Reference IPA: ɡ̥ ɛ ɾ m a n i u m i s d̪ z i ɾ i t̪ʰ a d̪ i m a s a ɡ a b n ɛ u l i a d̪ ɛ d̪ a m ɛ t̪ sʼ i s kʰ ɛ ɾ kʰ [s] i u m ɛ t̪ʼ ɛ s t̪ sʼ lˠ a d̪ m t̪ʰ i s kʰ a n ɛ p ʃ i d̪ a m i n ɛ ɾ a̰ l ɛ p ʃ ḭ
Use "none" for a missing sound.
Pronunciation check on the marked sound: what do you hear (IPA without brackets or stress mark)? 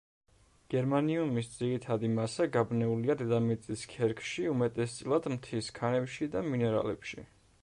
ʃ